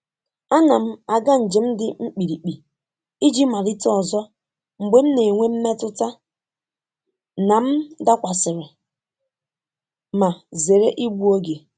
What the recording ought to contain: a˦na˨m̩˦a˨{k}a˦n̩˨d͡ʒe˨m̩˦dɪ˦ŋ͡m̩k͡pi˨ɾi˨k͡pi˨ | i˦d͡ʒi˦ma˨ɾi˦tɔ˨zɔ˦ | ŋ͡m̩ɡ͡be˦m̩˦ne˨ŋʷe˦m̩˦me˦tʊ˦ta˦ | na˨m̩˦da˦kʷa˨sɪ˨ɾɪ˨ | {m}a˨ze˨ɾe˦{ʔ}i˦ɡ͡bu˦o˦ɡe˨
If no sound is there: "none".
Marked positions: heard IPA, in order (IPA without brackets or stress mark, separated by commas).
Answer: ɡ, m, ʔ